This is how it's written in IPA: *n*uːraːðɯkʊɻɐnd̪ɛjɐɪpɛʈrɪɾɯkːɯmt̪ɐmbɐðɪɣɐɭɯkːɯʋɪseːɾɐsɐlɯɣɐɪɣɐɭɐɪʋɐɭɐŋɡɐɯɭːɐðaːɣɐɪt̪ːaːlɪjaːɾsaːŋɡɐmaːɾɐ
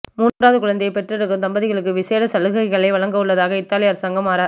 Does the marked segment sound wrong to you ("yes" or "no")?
yes